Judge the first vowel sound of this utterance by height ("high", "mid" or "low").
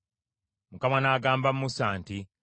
high